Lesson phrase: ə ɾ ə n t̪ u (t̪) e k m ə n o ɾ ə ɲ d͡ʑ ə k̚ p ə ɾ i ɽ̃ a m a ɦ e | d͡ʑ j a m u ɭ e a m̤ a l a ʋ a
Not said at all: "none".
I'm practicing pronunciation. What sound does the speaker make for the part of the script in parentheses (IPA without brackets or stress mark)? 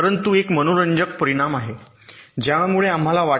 none